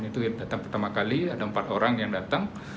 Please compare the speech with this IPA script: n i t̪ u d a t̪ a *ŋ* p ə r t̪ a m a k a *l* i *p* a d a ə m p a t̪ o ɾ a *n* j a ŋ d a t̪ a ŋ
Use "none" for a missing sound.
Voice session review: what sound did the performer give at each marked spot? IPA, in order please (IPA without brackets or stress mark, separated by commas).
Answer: ŋ, l, none, ŋ